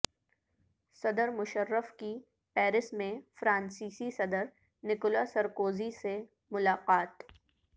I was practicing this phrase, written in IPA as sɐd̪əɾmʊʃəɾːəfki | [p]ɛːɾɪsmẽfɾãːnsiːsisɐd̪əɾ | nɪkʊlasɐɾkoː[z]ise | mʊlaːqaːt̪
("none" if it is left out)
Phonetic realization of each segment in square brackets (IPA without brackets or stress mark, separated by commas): p, z